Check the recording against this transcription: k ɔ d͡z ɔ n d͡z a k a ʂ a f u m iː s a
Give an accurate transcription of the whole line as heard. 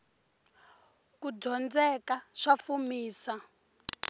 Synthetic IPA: k u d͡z ɔ n d͡z ɛ k a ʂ a f u m iː s a